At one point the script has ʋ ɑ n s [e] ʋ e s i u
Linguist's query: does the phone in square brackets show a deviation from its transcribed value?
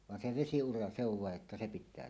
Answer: no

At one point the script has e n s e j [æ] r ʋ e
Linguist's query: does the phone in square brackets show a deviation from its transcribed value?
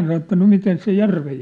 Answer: no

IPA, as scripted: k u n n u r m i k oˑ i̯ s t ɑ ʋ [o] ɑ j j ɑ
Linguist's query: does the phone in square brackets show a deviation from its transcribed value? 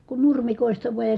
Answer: yes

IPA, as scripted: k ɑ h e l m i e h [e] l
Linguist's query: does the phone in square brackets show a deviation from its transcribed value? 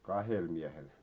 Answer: no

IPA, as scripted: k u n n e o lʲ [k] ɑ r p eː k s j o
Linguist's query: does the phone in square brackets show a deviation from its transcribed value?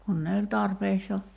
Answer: yes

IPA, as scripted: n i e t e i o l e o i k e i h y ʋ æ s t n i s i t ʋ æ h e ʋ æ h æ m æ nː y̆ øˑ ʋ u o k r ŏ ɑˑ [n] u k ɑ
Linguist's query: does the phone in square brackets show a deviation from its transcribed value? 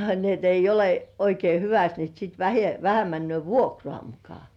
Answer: yes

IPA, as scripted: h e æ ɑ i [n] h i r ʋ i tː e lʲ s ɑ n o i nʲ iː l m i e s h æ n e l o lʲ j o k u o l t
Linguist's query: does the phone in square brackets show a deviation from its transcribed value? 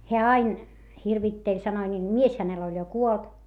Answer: no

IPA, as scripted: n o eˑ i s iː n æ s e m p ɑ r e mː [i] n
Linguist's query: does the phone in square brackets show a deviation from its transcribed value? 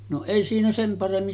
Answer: no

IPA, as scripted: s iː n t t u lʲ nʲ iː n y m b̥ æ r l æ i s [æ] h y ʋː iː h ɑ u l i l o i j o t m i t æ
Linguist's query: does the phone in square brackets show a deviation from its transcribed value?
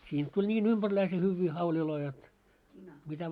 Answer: yes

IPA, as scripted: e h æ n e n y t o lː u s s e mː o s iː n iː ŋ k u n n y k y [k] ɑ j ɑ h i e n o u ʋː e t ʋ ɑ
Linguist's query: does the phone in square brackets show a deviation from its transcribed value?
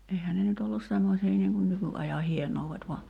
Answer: yes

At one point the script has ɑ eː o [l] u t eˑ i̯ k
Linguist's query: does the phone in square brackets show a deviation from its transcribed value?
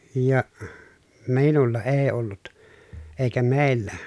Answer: yes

